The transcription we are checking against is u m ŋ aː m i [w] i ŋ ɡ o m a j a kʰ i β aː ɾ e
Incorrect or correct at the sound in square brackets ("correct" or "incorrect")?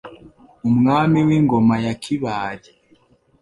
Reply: correct